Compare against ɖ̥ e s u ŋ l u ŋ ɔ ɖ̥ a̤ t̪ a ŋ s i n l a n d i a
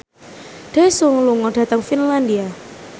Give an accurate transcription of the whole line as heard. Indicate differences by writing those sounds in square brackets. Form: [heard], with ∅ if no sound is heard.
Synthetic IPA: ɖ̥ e s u ŋ l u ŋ ɔ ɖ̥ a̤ t̪ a ŋ [f] i n l a n d i a